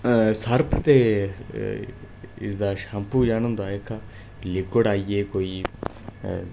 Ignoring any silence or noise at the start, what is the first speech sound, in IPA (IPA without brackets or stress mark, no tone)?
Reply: s